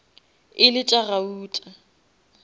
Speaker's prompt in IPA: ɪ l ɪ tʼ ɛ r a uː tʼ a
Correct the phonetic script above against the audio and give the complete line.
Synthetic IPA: ɪ l ɪ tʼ a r a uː tʼ a